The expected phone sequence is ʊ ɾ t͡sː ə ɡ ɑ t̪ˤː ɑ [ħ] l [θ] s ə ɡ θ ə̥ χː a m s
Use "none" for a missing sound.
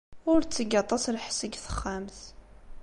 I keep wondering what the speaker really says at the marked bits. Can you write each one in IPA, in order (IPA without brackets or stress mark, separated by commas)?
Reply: s, ħ